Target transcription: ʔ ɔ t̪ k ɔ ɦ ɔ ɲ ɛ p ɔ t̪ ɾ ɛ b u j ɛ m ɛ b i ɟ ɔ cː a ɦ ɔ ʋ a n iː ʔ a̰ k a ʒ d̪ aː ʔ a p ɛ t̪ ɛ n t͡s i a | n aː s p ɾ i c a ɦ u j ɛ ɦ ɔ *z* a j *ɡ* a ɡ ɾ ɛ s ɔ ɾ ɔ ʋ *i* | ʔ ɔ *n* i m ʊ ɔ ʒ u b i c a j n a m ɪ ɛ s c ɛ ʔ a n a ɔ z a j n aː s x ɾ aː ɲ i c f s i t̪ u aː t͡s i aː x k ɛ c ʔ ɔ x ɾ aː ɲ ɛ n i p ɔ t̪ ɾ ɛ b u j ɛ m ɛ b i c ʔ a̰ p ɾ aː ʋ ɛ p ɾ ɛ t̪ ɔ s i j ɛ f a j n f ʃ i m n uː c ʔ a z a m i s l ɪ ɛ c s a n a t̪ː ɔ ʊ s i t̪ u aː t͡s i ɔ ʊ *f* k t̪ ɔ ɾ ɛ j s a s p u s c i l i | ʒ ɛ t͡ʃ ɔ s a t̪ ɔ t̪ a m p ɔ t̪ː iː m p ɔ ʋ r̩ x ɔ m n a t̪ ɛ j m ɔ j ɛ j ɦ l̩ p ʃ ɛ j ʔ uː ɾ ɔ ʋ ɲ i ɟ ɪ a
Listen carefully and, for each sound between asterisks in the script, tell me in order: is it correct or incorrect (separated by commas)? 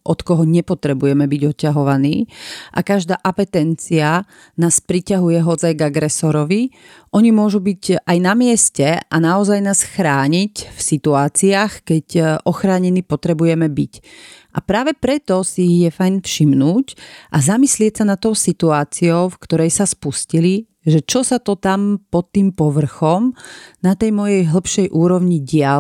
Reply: incorrect, correct, correct, incorrect, correct